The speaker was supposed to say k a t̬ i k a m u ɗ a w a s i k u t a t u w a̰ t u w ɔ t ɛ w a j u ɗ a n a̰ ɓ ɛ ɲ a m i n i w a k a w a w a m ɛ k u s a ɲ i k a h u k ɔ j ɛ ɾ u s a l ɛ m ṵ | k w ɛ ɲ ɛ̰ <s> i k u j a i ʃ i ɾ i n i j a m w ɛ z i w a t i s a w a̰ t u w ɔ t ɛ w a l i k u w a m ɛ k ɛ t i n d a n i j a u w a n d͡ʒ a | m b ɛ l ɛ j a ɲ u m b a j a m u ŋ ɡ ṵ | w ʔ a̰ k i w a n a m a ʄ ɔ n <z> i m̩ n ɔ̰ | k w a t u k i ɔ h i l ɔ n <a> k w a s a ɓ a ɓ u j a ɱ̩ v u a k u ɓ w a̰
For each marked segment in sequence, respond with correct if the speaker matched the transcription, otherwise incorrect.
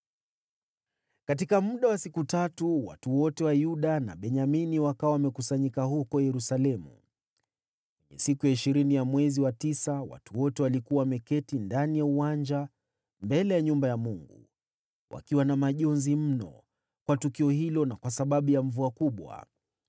correct, correct, correct

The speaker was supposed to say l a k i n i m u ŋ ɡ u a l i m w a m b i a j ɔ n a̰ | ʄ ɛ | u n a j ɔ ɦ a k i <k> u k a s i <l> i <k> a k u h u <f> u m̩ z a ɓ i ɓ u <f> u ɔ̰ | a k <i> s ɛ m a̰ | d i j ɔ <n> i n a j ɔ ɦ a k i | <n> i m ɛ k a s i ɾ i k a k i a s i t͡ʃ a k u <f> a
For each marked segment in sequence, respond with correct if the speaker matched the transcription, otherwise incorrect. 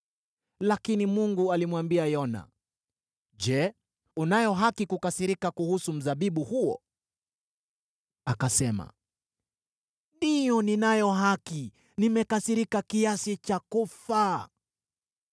correct, incorrect: ɾ, correct, incorrect: s, incorrect: h, incorrect: a, correct, correct, correct

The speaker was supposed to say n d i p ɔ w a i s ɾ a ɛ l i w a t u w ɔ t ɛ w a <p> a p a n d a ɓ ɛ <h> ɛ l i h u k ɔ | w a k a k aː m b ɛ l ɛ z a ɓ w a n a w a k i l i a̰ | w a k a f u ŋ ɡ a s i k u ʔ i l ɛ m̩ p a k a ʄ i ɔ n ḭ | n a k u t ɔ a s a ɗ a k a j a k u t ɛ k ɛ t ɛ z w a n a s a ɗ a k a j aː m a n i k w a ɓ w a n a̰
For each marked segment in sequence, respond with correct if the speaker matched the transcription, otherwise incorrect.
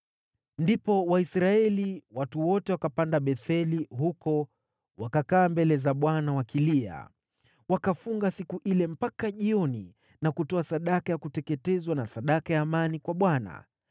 incorrect: k, incorrect: θ

